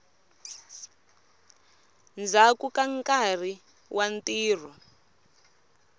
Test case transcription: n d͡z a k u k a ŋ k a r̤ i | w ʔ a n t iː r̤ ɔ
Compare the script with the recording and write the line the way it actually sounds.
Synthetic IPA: n d͡z a k u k a ŋ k a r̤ i | w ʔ a n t iː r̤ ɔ